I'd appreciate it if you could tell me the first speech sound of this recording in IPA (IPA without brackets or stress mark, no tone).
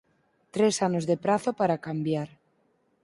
t̪